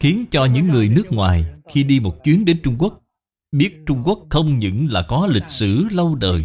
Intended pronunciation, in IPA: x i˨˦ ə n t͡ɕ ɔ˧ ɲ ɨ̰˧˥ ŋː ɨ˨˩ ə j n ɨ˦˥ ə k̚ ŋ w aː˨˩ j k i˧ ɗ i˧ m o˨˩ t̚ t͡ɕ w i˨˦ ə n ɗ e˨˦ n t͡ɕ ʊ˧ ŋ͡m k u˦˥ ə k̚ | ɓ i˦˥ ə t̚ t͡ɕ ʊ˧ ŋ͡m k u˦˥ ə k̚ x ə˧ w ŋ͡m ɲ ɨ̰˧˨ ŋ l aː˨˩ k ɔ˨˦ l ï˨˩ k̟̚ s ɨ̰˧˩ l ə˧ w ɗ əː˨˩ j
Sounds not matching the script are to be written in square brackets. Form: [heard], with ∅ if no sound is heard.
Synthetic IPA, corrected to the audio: x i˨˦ ə n t͡ɕ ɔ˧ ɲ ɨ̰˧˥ ŋː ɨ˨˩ ə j n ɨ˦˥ ə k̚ ŋ w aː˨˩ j [x] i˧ ɗ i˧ m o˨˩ t̚ t͡ɕ w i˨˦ ə n ɗ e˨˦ n t͡ɕ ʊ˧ ŋ͡m k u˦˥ ə k̚ | ɓ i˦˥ ə t̚ t͡ɕ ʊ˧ ŋ͡m k u˦˥ ə k̚ x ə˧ w ŋ͡m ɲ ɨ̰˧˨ ŋ l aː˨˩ k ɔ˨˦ l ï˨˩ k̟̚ s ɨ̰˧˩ l ə˧ w ɗ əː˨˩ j